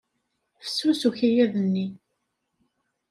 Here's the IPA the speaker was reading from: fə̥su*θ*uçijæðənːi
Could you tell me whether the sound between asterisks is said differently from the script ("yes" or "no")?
yes